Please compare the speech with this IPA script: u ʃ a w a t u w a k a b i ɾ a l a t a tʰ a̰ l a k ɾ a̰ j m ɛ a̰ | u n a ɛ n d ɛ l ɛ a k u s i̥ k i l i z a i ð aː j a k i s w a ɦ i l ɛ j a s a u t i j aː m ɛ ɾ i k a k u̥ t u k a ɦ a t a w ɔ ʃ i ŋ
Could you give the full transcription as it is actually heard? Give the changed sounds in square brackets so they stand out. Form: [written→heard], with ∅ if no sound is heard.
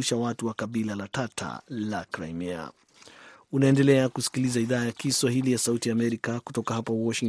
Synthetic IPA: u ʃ a w a t u w a k a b i [ɾ→l] a l a t a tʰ a̰ l a k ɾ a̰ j m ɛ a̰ | u n a ɛ n d ɛ l ɛ a k u s i̥ k i l i z a i ð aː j a k i s w a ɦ i l [ɛ→i] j a s a u t i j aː m ɛ ɾ i k a k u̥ t [u→ɔ] k a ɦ a [t→p] a w ɔ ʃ i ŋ